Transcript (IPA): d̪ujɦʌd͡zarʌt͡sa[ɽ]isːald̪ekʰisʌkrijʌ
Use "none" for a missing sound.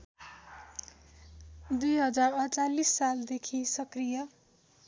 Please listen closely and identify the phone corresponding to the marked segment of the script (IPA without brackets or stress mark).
l